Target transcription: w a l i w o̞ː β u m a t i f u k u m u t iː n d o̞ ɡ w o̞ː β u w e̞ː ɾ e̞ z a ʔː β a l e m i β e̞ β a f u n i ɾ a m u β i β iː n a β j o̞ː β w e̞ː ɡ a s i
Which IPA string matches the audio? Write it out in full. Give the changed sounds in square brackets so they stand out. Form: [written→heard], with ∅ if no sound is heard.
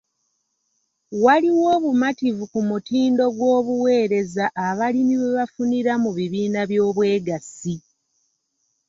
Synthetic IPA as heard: w a l i w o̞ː β u m a t i [f→v] u k u m u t iː n d o̞ ɡ w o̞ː β u w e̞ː ɾ e̞ z a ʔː β a l [e→i] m i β e̞ β a f u n i ɾ a m u β i β iː n a β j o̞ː β w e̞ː ɡ a s i